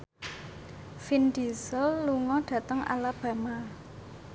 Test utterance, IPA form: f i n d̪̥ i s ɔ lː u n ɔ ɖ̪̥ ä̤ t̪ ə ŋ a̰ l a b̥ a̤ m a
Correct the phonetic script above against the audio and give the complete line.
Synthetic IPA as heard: f i n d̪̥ i s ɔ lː u ŋ ɔ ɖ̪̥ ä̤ t̪ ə ŋ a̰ l a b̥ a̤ m a